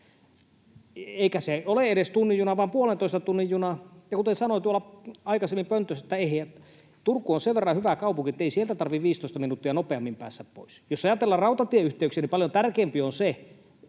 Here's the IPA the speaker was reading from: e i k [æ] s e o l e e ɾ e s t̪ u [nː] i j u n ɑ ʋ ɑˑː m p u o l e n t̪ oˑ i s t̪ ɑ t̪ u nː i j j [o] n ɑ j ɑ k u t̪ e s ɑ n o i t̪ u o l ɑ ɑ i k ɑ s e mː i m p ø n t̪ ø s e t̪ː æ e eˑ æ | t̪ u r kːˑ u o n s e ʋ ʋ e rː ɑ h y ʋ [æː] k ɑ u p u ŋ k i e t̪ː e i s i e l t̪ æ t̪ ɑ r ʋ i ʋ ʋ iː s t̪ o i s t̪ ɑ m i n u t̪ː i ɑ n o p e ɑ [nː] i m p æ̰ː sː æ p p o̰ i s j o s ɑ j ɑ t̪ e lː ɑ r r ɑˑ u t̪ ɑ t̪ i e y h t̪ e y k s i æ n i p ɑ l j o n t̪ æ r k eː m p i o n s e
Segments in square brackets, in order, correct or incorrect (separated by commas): correct, correct, incorrect, incorrect, incorrect